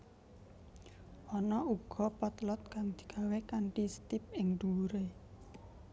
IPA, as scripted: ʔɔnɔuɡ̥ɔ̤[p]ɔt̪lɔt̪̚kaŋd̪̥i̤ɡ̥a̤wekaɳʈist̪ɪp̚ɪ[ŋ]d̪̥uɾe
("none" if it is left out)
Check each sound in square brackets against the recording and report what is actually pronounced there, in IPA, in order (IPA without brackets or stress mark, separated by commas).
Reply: p, ŋ